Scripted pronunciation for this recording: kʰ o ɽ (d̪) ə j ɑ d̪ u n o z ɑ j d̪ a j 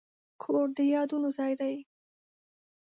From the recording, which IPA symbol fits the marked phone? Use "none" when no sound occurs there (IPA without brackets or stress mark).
d̪